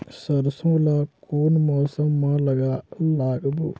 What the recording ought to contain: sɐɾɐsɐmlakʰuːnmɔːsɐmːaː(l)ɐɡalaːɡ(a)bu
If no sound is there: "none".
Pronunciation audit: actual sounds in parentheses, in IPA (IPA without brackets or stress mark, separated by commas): l, ɐ